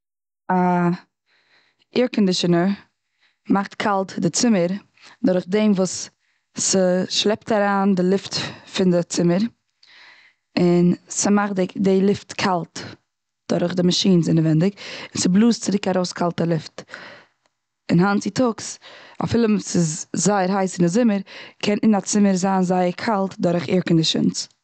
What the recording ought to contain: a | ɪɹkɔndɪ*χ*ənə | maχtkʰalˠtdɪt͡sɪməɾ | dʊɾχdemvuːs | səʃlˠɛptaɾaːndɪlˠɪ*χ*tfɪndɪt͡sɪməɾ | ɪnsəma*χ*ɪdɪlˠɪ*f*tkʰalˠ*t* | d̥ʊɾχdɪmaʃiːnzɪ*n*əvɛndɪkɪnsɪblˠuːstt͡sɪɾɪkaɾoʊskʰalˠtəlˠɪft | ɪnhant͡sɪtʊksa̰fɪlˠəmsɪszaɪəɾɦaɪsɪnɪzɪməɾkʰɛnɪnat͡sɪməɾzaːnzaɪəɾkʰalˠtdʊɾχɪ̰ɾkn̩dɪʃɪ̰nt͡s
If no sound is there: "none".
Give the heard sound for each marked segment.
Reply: ʃ, f, χ, f, t, n

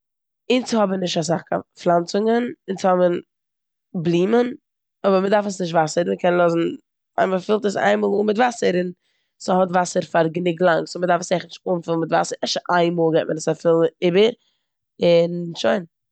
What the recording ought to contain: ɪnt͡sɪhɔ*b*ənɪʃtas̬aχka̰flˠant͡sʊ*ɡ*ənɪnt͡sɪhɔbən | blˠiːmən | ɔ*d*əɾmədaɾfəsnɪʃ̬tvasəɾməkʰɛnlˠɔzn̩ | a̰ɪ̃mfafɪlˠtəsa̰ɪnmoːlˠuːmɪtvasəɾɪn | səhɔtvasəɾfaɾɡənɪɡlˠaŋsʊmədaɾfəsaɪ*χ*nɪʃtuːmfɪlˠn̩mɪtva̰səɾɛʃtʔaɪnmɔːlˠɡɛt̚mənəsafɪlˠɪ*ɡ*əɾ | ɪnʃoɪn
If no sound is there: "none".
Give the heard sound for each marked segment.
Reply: b, ŋ, b, χ, b

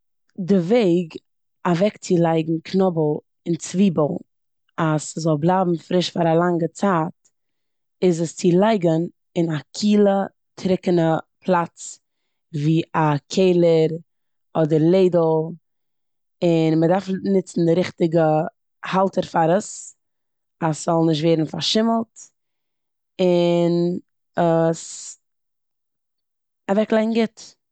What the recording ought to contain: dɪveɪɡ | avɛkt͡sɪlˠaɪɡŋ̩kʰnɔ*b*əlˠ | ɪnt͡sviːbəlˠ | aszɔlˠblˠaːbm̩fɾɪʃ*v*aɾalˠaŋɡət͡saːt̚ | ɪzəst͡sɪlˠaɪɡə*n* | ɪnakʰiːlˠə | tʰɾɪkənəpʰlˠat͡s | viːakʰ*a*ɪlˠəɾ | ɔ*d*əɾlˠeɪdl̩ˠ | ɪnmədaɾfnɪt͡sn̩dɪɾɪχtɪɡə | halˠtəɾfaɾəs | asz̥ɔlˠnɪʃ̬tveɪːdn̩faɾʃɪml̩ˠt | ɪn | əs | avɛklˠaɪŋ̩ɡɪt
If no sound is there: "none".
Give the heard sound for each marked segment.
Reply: b, f, n, e, d

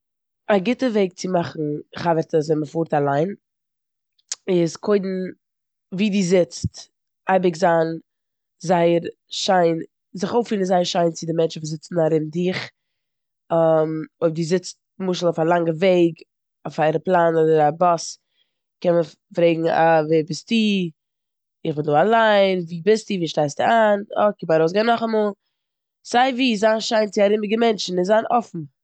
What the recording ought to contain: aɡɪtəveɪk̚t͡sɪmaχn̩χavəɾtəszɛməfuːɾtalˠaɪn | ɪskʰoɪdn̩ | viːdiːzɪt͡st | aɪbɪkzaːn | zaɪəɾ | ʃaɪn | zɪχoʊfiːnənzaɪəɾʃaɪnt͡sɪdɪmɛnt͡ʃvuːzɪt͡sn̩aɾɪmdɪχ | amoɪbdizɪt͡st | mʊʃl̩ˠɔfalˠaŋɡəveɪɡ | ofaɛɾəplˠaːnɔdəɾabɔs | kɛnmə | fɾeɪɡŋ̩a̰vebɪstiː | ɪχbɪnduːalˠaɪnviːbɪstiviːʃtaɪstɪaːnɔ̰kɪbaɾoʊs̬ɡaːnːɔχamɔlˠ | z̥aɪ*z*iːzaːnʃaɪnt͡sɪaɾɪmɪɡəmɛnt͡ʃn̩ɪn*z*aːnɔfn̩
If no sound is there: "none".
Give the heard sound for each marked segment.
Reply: v, z

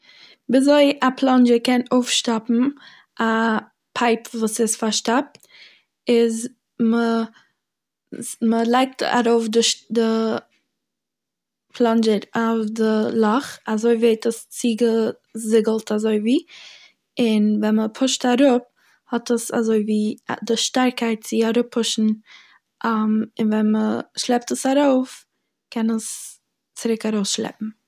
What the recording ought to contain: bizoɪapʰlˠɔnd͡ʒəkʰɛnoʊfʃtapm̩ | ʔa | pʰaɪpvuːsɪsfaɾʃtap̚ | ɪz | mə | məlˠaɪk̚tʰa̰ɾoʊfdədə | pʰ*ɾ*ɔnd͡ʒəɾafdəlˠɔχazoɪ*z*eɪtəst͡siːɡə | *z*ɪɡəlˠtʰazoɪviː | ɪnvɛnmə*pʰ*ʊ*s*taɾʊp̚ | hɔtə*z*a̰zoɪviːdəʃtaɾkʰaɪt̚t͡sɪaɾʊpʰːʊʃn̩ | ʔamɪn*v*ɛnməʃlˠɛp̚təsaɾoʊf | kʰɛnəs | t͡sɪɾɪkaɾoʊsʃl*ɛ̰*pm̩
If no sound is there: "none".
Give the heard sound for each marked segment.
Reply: l, v, z, pʰ, ʃ, s, v, ɛ̰

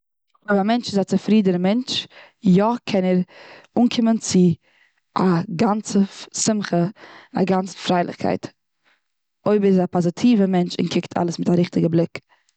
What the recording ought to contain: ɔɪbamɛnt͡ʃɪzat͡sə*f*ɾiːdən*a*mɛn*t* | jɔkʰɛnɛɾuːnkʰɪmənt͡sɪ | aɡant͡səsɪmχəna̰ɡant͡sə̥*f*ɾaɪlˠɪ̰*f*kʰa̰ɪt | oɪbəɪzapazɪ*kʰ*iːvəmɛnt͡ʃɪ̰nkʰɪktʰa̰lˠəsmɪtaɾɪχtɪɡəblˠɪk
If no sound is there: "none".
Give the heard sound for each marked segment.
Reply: f, ə, t͡ʃ, f, χ, tʰ

